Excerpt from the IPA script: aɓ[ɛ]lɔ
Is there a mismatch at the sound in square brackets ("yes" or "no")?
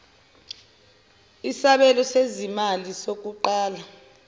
no